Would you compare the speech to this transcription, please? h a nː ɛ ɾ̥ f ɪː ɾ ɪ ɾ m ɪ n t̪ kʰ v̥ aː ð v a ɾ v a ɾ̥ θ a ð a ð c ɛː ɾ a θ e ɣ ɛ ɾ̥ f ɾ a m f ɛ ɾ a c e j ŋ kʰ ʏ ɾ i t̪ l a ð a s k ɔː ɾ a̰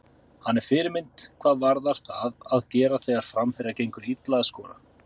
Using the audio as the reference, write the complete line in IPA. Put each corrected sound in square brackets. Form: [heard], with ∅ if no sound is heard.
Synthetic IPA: h a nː ɛ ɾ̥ f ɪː ɾ ɪ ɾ m ɪ n t̪ kʰ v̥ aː ð v a ɾ [ð] a ɾ̥ θ a ð a ð c ɛː ɾ a θ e ɣ [a] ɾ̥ f ɾ a m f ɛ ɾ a c e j ŋ [k] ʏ ɾ i t̪ l a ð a s k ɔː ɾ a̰